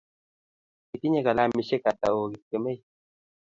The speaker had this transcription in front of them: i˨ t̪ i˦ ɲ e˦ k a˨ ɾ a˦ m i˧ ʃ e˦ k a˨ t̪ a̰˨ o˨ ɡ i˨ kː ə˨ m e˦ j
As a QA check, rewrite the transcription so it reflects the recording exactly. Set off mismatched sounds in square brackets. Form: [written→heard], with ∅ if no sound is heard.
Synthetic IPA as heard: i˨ t̪ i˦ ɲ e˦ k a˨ [ɾ→l] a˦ m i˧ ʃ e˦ k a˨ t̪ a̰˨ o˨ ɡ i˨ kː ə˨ m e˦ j